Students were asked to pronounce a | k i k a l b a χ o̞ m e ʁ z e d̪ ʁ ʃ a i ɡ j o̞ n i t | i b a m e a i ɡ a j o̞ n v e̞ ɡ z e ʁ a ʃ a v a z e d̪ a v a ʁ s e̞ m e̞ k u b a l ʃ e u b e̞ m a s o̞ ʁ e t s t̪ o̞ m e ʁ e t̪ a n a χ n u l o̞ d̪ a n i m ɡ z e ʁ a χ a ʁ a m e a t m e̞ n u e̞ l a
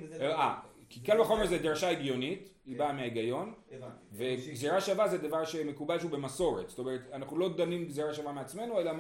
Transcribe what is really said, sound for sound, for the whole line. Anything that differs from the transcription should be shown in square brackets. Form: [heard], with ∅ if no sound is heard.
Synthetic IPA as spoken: a | k i k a l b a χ o̞ m e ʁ z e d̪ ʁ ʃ a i ɡ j o̞ n i t | i b a m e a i ɡ a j o̞ n v e̞ ɡ z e ʁ a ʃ a v a z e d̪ a v a ʁ [ʃ] e̞ m e̞ k u b a l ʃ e u b e̞ m a s o̞ ʁ e t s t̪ o̞ m e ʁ e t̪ a n a χ n u l o̞ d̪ a n i m ɡ z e ʁ a [ʃ] a [v] a m e a [t͡s] m e̞ n u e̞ l a